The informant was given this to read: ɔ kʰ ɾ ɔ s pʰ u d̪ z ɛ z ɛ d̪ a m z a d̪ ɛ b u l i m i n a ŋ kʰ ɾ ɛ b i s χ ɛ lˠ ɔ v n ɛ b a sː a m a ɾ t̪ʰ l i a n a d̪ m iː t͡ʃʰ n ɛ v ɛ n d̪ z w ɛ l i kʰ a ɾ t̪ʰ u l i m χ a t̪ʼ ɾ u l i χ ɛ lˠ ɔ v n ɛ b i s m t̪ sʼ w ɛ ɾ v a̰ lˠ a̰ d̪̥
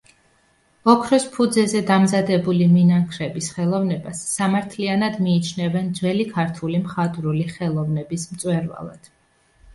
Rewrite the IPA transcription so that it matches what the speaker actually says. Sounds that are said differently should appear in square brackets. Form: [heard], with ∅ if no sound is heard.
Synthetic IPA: ɔ kʰ ɾ ɔ s pʰ u d̪ z ɛ z ɛ d̪ a m z a d̪ ɛ b u l i m i n a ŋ kʰ ɾ ɛ b i s χ ɛ lˠ ɔ v n ɛ b a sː a m a ɾ t̪ʰ l i a n a d̪ m iː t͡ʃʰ n ɛ v ɛ n d̪ z w ɛ l i kʰ a ɾ t̪ʰ u l i m χ a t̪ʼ ɾ u l i χ ɛ lˠ ɔ v n ɛ b i s m t̪ sʼ w ɛ ɾ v a̰ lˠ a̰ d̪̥